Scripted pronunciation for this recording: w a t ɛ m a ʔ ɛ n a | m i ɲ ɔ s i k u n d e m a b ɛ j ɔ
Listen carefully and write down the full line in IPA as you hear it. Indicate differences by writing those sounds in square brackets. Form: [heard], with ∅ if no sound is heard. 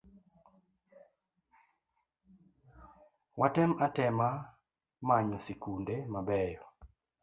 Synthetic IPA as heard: w a t ɛ m a [t] ɛ [m] a | m [a] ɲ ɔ s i k u n d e m a b ɛ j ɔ